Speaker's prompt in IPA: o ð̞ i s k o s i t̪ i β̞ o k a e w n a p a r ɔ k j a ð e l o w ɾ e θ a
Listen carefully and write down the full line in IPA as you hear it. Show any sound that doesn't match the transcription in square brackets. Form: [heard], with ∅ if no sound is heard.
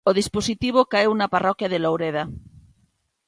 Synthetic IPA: o ð̞ i s [p] o s i t̪ i β̞ o k a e w n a p a r ɔ k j a ð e l o w ɾ e [ð] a